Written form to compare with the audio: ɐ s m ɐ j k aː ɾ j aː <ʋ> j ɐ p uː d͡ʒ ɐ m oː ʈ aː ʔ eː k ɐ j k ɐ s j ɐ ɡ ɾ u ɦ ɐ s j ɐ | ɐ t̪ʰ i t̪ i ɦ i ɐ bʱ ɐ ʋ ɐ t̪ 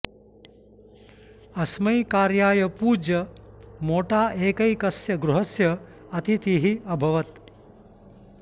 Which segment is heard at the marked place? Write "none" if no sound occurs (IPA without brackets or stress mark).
none